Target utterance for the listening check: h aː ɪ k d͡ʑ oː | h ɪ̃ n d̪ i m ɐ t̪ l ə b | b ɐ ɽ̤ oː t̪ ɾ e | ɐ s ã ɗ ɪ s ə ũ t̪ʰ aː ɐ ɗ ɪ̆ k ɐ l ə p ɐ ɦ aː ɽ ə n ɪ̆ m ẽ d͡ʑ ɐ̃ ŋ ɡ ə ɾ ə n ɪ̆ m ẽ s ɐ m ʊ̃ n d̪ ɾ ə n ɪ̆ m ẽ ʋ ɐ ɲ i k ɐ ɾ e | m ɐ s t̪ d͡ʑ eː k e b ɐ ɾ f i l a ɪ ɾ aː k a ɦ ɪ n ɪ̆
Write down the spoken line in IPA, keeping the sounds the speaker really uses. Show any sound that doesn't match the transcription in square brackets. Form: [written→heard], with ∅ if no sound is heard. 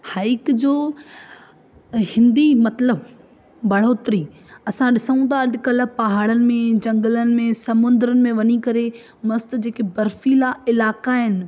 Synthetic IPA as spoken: h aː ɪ k d͡ʑ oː | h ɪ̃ n d̪ i m ɐ t̪ l ə b | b ɐ ɽ̤ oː t̪ ɾ [e→i] | ɐ s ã ɗ ɪ s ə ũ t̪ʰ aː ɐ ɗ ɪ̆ k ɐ l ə p ɐ ɦ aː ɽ ə n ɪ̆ m ẽ d͡ʑ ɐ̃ ŋ ɡ ə [ɾ→l] ə n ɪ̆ m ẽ s ɐ m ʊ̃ n d̪ ɾ ə n ɪ̆ m ẽ ʋ ɐ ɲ i k ɐ ɾ e | m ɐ s t̪ d͡ʑ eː k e b ɐ ɾ f i l a ɪ [ɾ→l] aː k a ɦ ɪ n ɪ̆